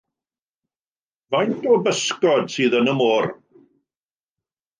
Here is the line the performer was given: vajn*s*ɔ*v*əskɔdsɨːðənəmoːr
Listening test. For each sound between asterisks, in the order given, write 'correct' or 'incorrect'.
incorrect, incorrect

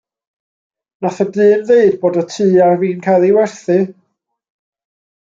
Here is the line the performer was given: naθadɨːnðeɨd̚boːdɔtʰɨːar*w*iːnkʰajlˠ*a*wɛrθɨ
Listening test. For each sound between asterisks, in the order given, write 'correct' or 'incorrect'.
incorrect, incorrect

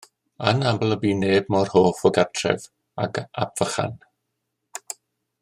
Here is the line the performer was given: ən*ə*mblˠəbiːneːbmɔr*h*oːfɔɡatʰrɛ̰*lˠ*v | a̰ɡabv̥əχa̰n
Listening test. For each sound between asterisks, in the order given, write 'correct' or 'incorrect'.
incorrect, correct, incorrect

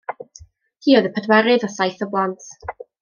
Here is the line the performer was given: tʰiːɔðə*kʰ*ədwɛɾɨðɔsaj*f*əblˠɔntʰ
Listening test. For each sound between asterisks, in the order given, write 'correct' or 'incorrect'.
incorrect, incorrect

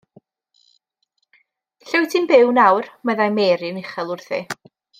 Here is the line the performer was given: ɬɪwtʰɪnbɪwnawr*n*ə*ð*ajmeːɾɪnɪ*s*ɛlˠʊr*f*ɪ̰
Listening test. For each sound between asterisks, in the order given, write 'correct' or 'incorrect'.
incorrect, correct, incorrect, incorrect

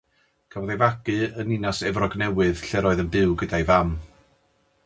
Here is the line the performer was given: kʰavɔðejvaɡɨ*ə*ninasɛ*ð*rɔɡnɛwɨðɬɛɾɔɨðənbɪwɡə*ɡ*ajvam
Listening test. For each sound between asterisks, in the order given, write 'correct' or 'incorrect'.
correct, incorrect, incorrect

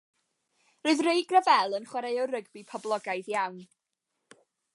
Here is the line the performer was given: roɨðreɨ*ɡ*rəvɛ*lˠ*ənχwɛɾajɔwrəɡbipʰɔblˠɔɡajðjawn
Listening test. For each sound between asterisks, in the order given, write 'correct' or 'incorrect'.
correct, correct

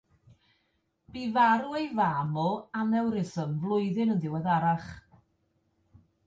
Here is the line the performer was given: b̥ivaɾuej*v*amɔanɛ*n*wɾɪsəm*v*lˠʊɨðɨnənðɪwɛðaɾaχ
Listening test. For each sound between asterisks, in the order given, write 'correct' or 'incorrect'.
correct, incorrect, correct

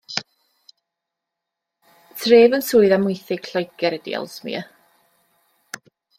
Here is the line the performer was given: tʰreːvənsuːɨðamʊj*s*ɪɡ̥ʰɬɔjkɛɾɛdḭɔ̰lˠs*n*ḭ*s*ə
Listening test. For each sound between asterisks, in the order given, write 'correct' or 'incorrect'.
incorrect, incorrect, incorrect

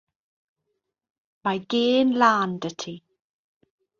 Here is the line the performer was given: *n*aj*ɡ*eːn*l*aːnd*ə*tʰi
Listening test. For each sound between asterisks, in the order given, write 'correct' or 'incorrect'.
incorrect, correct, correct, correct

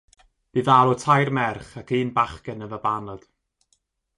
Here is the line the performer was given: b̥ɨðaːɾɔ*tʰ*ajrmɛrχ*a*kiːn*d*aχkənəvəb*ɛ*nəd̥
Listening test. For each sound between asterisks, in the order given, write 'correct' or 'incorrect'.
correct, correct, incorrect, incorrect

